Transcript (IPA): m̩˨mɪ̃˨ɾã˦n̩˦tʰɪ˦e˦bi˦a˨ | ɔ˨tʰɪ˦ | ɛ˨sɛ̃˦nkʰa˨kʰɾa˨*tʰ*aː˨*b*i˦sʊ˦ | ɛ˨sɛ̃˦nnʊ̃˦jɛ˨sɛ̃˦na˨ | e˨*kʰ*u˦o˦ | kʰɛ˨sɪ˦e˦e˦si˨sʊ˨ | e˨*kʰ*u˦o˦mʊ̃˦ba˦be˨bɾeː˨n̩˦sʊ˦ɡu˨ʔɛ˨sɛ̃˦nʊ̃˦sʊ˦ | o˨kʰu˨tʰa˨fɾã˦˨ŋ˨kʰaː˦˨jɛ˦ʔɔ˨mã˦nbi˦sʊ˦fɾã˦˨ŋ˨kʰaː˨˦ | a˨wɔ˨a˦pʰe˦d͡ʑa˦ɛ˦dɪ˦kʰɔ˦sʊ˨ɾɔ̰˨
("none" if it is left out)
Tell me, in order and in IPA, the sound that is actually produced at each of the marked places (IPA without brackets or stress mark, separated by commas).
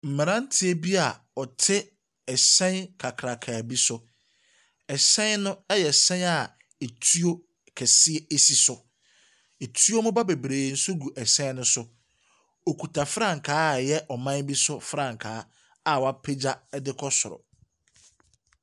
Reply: kʰ, b, tʰ, tʰ